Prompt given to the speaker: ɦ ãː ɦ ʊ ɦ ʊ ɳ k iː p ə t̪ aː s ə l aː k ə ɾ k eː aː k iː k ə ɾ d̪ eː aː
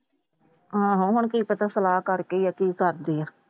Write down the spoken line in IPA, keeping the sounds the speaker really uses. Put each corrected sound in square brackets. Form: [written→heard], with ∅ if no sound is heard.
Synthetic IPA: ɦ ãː ɦ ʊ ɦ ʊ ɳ k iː p ə t̪ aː s ə l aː k ə ɾ k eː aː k iː k ə ɾ d̪ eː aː